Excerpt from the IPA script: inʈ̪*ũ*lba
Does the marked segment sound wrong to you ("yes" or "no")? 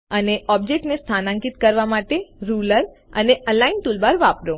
yes